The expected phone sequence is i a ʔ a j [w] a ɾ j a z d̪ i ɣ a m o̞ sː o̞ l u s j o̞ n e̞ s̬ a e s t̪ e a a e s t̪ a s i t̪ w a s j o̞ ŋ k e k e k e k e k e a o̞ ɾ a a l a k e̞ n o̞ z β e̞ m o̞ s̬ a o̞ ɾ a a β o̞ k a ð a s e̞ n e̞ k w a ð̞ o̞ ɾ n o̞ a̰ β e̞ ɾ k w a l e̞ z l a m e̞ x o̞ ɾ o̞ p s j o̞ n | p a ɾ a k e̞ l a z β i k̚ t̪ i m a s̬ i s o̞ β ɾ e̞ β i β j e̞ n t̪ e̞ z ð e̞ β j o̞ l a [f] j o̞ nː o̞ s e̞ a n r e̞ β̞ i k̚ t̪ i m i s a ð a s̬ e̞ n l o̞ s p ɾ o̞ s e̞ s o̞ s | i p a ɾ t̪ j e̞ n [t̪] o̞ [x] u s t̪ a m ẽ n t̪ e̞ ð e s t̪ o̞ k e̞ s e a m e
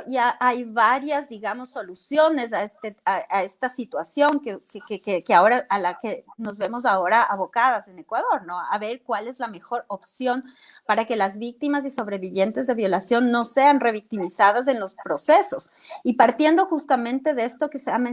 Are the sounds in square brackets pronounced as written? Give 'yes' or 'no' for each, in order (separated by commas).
no, no, no, yes